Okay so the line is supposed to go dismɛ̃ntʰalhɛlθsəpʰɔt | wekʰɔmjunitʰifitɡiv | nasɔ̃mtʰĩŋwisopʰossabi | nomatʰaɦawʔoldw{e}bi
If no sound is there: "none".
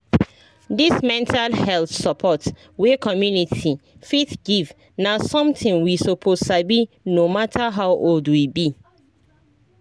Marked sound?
i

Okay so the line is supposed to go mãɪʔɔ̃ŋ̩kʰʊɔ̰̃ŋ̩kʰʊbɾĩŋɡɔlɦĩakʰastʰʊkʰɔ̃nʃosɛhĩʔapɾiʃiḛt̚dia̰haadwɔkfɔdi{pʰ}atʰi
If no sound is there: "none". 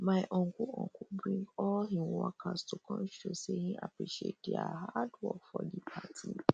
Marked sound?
pʰ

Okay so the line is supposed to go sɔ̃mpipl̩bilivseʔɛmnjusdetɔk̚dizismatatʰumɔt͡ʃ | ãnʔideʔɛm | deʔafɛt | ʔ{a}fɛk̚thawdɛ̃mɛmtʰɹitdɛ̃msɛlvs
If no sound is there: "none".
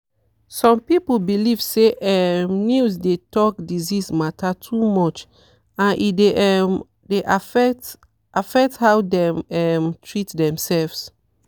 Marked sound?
a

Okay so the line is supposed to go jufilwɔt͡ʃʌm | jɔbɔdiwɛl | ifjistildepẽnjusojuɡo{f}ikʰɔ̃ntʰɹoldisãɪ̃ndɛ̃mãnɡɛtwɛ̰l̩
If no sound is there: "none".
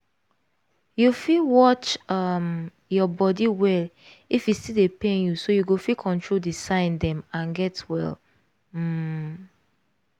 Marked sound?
f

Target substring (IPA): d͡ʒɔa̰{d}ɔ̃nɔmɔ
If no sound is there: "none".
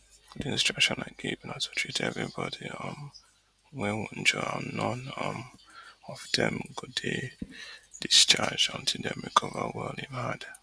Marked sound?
n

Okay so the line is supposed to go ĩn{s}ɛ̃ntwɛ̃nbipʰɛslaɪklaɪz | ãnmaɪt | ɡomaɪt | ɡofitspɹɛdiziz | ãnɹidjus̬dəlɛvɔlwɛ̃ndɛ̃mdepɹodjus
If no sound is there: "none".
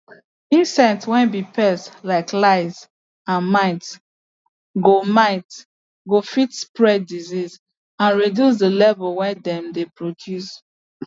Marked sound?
s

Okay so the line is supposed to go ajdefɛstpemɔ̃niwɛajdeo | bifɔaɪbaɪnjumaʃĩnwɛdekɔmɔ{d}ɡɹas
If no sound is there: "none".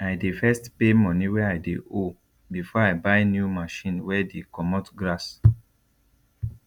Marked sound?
t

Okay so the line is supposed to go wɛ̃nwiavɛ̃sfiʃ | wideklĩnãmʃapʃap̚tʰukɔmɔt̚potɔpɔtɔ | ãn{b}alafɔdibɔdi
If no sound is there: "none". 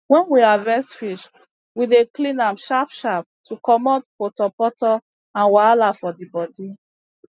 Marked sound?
w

